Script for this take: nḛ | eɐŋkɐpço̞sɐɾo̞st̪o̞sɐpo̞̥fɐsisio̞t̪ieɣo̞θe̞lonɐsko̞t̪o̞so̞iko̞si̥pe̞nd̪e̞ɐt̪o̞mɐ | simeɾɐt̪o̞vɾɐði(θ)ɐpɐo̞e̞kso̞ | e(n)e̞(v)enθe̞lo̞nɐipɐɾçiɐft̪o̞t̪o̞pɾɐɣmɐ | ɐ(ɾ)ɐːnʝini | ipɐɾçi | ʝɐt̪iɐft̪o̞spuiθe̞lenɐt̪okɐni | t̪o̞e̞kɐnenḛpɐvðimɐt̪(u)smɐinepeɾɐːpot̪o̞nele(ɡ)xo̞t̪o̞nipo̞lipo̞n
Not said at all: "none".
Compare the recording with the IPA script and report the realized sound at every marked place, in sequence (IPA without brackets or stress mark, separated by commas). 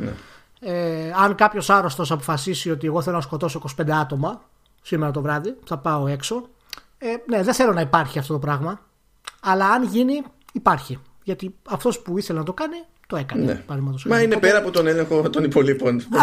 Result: θ, n, ð, l, o, ŋ